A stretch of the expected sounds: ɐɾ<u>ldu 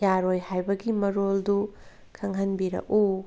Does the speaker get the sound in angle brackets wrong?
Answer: yes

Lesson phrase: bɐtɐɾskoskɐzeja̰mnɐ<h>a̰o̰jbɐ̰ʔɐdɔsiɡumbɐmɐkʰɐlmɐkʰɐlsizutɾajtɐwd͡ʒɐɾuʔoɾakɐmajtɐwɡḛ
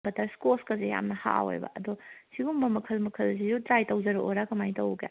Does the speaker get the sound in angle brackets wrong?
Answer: no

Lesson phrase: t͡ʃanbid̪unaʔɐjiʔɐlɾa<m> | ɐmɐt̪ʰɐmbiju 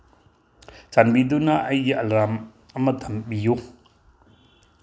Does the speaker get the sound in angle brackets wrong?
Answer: no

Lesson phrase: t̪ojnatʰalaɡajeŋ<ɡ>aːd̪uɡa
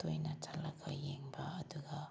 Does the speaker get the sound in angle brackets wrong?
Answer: yes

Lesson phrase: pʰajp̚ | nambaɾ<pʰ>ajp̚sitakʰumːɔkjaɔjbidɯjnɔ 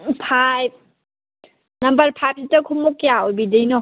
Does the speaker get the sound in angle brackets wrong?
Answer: no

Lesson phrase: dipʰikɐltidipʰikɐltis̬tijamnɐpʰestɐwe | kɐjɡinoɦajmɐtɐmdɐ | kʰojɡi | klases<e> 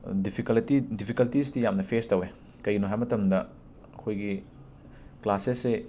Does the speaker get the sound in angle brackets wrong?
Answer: no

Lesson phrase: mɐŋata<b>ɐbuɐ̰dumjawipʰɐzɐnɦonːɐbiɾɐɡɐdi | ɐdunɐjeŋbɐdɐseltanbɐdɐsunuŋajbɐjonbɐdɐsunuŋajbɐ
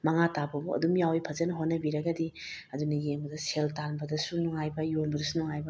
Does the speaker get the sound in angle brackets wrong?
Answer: no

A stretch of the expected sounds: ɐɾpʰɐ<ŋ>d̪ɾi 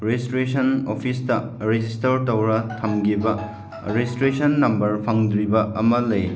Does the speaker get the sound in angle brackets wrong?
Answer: no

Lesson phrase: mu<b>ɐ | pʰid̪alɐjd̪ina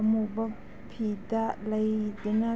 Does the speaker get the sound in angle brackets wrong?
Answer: no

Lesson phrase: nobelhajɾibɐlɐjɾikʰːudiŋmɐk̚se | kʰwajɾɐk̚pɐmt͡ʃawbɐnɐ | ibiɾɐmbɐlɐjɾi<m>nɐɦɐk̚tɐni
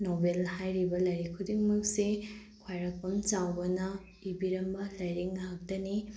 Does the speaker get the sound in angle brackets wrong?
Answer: yes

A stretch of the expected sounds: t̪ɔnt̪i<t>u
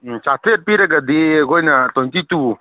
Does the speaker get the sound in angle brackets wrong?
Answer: no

